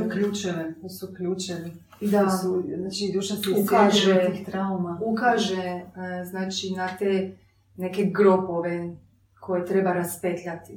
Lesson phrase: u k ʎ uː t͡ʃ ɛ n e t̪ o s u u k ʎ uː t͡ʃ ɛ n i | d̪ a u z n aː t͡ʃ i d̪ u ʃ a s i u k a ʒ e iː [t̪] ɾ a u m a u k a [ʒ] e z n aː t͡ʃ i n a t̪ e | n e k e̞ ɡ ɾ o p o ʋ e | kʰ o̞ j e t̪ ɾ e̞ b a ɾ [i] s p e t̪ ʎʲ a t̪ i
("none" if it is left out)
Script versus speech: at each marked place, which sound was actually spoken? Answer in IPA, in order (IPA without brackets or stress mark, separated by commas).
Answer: t̪, ʒ, a